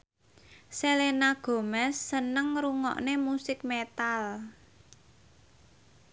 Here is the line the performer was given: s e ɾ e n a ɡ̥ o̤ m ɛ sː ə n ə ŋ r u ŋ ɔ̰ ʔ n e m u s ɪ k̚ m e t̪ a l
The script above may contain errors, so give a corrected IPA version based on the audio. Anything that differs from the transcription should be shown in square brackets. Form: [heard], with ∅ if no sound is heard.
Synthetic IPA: s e [l] e n a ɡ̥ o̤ m ɛ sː ə n ə ŋ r u ŋ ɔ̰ ʔ n e m u s ɪ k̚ m e t̪ a l